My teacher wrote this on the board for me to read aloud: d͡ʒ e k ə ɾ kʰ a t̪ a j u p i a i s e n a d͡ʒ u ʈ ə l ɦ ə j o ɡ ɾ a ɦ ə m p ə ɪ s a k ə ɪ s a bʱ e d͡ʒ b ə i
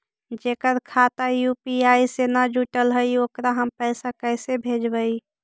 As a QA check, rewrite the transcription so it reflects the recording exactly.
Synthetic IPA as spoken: d͡ʒ e k ə ɾ kʰ a t̪ a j u p i a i s e n a d͡ʒ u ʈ ə l ɦ ə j o k ɾ a ɦ ə m p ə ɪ s a k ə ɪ s e bʱ e d͡ʒ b ə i